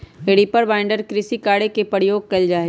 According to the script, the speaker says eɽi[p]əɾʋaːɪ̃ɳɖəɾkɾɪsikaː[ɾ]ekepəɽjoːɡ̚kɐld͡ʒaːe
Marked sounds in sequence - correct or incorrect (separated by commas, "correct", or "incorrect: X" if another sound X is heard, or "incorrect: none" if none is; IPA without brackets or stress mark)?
correct, incorrect: ɽ